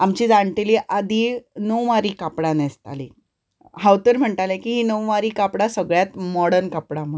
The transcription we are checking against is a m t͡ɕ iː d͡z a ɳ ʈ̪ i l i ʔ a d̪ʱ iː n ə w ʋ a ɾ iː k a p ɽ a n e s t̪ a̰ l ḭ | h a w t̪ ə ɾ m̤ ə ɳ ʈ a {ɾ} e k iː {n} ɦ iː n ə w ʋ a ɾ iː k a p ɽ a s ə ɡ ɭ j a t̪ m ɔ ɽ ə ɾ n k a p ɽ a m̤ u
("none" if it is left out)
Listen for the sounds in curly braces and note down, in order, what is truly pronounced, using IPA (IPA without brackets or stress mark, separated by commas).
l, none